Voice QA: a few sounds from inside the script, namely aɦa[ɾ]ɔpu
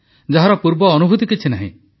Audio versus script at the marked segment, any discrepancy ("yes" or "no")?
no